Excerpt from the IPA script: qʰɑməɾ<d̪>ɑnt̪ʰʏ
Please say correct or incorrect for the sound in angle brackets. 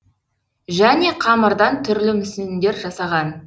correct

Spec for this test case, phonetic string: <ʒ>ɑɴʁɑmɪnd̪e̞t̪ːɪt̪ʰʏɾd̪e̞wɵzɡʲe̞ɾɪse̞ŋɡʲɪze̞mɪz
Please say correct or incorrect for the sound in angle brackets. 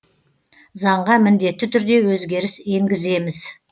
incorrect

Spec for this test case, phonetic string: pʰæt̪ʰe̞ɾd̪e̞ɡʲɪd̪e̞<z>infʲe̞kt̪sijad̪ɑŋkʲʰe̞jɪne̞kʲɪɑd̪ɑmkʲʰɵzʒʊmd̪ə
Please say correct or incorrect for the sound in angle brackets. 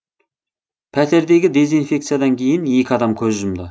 correct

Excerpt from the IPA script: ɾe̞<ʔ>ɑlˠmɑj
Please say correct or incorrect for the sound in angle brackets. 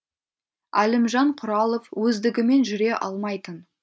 correct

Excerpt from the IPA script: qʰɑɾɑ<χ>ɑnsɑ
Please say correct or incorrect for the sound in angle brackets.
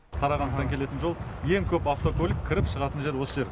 incorrect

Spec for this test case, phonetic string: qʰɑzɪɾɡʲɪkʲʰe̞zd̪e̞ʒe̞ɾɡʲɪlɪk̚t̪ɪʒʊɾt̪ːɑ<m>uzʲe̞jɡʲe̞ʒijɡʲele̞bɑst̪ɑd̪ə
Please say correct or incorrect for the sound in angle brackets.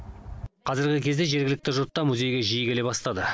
correct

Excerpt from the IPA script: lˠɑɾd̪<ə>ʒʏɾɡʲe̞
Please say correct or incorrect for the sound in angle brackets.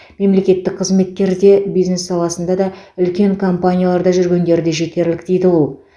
incorrect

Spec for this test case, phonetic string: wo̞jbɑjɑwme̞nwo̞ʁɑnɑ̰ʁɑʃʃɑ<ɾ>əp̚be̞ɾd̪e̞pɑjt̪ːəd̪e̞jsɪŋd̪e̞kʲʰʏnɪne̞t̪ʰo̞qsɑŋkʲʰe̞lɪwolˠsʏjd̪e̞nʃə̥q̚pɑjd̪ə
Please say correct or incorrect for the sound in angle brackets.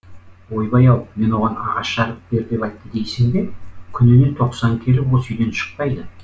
correct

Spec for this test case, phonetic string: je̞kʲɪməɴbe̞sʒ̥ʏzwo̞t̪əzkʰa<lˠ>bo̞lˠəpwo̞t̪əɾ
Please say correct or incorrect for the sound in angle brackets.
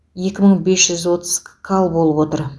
correct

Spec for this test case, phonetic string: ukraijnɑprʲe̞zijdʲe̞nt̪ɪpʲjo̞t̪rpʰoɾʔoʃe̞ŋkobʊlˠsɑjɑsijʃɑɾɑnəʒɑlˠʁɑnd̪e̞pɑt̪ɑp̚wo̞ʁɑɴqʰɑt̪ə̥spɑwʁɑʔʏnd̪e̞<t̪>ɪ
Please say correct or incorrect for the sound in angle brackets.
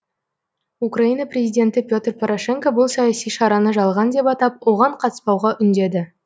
incorrect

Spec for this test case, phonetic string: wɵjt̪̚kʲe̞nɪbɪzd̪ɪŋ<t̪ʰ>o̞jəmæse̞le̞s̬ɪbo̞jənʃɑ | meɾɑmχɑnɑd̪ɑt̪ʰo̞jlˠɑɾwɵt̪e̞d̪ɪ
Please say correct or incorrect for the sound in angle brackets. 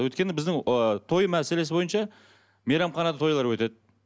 correct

